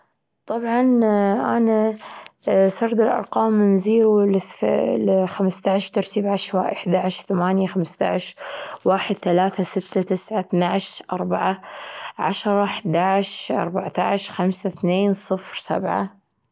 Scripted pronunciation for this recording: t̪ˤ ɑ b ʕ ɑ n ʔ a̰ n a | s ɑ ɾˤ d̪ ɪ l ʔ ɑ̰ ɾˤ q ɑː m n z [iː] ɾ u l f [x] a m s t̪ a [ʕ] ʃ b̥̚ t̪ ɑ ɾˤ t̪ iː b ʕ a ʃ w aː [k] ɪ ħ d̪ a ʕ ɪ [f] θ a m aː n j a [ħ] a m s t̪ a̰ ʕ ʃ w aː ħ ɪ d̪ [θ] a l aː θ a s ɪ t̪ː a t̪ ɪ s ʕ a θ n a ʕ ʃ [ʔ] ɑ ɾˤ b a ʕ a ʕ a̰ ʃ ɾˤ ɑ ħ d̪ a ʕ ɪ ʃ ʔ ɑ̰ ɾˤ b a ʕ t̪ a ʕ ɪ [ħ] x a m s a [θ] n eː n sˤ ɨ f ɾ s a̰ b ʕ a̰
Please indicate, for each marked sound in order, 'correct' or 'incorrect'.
correct, correct, correct, incorrect: ʔ, incorrect: ʃ, incorrect: x, correct, correct, incorrect: ʃ, correct

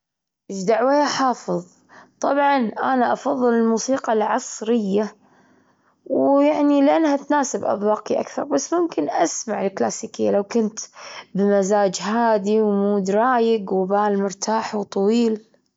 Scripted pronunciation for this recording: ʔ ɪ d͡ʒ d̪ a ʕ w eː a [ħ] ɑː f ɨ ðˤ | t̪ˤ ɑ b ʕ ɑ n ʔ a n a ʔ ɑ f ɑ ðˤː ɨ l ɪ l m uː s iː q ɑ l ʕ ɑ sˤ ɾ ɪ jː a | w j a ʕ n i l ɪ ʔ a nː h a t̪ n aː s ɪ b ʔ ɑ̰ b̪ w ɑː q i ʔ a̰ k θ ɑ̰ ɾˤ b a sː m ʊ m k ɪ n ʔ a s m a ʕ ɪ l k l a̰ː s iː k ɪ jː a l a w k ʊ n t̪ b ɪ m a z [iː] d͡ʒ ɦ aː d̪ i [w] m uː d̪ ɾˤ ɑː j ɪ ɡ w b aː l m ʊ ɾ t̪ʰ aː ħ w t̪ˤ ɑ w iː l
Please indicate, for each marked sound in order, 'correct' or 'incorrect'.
correct, incorrect: aː, correct

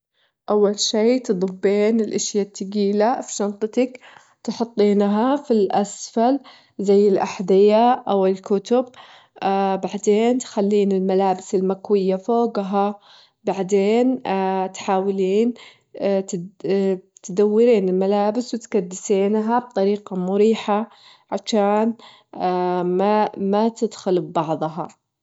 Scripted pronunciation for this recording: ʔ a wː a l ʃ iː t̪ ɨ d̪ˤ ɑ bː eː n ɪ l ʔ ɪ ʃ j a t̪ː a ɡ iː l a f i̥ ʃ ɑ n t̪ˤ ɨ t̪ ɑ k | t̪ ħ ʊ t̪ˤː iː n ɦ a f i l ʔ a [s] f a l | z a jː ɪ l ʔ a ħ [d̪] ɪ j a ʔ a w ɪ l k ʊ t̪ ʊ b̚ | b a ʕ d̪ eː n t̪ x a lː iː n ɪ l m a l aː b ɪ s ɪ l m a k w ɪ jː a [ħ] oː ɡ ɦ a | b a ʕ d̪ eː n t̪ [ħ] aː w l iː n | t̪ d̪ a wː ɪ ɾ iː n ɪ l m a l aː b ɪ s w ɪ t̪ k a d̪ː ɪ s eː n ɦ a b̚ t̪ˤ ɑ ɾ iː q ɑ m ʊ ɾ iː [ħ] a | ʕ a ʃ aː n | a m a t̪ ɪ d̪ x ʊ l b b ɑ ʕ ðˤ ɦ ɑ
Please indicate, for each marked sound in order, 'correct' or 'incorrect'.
correct, correct, incorrect: f, correct, correct

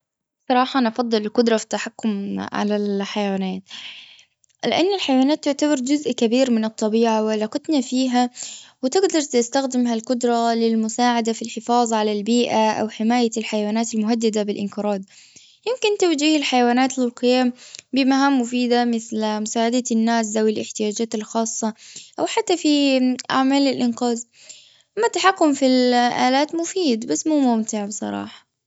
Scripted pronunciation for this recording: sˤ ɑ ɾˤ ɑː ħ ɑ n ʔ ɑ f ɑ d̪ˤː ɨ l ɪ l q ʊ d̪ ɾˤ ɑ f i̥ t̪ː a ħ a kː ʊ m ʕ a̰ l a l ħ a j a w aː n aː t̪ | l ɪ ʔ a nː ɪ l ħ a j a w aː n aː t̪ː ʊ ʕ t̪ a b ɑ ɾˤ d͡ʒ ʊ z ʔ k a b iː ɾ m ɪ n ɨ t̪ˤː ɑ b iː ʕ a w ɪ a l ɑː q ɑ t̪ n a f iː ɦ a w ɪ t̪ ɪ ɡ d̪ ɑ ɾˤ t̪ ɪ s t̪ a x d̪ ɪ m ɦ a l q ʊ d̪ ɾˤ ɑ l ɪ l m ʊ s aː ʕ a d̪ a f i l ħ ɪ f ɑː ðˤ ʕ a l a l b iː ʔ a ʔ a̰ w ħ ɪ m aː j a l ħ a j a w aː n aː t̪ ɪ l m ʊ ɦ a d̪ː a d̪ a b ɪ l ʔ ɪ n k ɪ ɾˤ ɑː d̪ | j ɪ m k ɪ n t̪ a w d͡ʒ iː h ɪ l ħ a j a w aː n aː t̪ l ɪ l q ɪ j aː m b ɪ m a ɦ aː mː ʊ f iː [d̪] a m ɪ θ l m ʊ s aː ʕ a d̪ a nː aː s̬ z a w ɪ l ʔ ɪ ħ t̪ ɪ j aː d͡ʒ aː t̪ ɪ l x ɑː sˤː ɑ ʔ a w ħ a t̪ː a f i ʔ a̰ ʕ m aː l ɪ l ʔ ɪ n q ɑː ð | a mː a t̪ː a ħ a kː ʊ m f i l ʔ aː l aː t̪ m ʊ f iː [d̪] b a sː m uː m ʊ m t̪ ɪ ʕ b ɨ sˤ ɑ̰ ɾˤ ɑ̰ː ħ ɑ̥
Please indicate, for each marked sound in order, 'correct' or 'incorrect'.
correct, correct

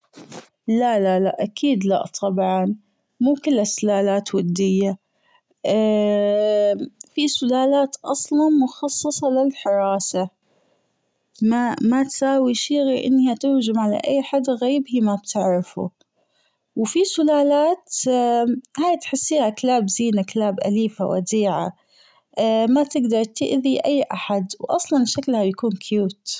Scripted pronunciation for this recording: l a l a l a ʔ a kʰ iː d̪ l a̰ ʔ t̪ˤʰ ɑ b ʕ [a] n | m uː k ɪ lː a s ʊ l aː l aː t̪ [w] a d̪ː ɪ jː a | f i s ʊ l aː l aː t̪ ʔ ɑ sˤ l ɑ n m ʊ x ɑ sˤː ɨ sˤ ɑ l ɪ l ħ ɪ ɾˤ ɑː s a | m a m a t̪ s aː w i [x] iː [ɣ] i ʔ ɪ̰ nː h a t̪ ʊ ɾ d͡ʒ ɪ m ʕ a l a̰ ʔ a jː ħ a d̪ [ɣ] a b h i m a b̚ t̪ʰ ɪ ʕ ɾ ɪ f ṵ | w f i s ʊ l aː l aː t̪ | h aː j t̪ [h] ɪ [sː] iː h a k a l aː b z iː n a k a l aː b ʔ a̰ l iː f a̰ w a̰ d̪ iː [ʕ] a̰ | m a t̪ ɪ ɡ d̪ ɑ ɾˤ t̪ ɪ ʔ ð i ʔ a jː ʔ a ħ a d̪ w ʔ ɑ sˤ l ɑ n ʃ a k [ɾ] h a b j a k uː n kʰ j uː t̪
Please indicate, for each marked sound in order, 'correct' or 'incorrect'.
incorrect: ɑ, correct, incorrect: ʃ, correct, correct, incorrect: ħ, correct, correct, incorrect: l

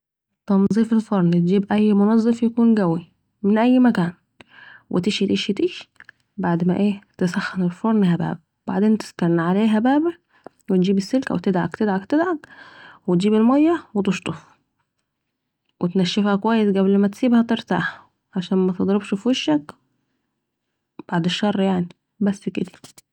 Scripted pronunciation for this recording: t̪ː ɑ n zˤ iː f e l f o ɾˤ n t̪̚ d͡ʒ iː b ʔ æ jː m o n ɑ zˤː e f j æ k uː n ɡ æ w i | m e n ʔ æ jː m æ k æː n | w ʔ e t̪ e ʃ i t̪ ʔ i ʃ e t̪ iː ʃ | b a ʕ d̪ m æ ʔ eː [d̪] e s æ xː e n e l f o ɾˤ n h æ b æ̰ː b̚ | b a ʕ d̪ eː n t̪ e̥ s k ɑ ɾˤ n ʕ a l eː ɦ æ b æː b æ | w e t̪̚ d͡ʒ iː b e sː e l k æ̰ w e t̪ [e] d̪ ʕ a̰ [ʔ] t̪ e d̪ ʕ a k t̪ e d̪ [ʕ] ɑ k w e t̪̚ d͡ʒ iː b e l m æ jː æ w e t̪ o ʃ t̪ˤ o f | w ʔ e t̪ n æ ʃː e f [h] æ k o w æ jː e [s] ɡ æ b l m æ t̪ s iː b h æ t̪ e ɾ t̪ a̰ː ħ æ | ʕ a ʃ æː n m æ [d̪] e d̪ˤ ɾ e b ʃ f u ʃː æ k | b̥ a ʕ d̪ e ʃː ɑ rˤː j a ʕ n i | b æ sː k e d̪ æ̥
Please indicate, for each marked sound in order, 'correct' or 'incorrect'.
incorrect: t̪, correct, incorrect: k, correct, correct, correct, incorrect: t̪

